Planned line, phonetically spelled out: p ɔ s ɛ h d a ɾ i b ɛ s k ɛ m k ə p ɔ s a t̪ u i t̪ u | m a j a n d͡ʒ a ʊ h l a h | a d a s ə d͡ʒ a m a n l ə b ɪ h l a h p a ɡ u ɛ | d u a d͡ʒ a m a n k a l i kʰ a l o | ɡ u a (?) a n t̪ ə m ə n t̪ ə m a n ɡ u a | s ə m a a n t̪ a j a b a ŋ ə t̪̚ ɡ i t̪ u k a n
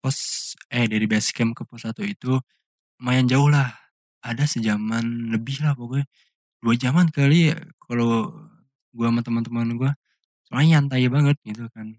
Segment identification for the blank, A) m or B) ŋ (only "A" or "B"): A